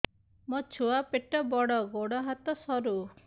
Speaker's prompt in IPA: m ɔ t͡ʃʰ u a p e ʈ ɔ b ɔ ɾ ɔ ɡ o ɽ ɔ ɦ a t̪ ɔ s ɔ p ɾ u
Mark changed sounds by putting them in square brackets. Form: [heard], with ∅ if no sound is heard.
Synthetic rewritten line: m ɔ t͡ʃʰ u a p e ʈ ɔ b ɔ [ɽ] ɔ ɡ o ɽ ɔ ɦ a t̪ ɔ s ɔ [∅] ɾ u